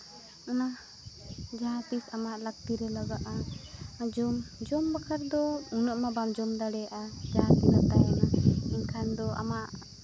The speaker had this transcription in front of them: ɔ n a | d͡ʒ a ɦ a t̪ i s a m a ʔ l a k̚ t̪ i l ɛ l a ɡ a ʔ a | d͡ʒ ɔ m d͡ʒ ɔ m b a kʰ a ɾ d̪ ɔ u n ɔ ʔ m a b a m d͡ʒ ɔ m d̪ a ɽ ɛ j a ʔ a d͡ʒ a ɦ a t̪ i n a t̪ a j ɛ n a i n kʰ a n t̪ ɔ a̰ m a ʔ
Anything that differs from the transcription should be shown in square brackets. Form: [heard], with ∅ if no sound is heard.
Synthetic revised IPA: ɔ n a | d͡ʒ a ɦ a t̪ i s a m a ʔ l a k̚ t̪ i [ɾ] ɛ l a ɡ a ʔ a | d͡ʒ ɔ m d͡ʒ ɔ m b a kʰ a ɾ d̪ ɔ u n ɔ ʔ m a b a m d͡ʒ ɔ m d̪ a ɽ ɛ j a ʔ a d͡ʒ a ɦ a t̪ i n a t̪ a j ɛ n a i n kʰ a n [d̪] ɔ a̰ m a ʔ